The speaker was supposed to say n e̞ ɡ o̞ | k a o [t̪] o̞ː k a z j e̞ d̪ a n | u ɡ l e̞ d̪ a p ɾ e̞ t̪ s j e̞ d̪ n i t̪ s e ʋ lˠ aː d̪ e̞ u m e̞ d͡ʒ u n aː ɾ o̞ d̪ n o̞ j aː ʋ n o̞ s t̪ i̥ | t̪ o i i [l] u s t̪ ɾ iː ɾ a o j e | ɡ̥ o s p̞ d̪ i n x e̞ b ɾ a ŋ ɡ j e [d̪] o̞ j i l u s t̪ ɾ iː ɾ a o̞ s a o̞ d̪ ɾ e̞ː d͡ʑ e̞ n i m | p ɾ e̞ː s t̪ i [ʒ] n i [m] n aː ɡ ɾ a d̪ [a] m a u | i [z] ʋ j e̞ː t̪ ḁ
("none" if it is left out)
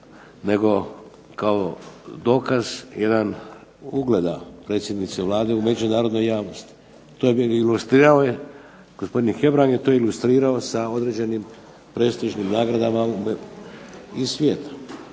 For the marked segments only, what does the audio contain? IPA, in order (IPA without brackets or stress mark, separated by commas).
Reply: d̪, l, t̪, ʒ, m, a, s